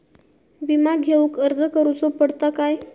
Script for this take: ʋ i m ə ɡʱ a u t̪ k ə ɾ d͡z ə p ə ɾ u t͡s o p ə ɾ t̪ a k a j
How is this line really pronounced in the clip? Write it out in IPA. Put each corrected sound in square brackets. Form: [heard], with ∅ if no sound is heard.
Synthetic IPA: ʋ i m [a] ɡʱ [e] u [∅] k ə ɾ d͡z ə [k] ə ɾ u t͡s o p ə [ɽ] t̪ a k a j